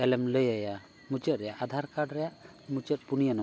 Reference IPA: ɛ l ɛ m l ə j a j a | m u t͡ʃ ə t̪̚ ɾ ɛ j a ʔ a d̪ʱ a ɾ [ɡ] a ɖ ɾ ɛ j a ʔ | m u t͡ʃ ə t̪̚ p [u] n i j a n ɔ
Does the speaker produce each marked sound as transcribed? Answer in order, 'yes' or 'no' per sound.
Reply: no, yes

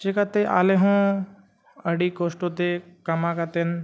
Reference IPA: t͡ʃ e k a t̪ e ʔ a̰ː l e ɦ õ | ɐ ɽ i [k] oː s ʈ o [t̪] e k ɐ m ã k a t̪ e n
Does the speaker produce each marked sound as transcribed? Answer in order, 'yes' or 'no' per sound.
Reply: yes, yes

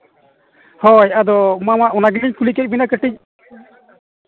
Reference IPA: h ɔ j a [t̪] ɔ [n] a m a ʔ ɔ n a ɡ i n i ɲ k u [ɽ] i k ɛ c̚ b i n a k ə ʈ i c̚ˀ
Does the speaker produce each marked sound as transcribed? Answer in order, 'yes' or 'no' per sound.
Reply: no, no, no

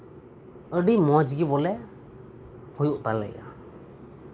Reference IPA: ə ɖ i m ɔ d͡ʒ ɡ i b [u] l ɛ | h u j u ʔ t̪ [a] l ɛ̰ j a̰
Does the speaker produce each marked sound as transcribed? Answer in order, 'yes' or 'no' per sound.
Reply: no, yes

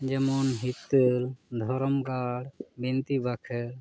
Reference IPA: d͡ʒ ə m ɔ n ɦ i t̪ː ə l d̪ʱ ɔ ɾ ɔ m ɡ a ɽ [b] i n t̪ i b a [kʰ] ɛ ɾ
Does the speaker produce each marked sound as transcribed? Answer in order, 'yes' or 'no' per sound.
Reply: yes, yes

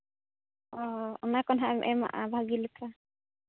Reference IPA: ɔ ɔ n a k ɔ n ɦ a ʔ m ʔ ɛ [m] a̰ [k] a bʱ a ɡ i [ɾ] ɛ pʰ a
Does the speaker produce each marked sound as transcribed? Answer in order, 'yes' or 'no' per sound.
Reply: yes, no, no

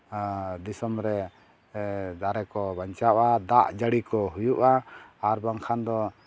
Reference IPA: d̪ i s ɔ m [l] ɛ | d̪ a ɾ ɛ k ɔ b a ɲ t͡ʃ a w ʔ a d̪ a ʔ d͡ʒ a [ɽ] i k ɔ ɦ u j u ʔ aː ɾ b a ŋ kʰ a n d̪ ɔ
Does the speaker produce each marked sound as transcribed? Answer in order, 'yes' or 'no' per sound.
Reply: no, yes

